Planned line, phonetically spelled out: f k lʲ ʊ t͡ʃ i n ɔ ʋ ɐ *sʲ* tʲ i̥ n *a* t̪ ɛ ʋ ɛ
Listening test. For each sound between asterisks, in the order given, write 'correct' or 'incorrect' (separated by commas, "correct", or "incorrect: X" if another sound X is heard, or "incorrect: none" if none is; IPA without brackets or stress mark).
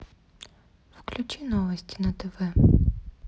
correct, incorrect: ɐ